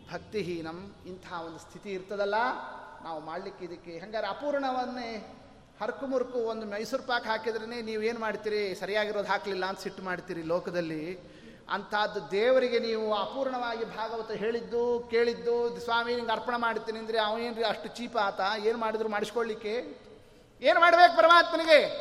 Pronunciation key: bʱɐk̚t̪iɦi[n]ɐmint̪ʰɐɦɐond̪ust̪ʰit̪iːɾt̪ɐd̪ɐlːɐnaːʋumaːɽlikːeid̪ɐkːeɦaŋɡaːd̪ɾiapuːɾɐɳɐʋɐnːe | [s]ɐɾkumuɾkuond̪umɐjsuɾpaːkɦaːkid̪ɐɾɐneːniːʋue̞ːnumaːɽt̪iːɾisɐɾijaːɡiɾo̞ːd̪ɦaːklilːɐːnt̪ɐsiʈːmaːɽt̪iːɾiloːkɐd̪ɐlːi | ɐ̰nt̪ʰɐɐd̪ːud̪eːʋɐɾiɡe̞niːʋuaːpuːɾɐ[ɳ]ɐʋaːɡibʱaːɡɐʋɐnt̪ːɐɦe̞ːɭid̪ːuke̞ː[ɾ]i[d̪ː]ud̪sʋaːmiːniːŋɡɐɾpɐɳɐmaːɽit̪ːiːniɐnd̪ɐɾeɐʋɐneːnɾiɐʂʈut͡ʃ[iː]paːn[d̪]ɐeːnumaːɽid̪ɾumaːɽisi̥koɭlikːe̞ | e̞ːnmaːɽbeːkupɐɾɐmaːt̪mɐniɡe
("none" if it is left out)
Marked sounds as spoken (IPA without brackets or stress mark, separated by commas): n, h, ɳ, ɭ, d̪ː, iː, t̪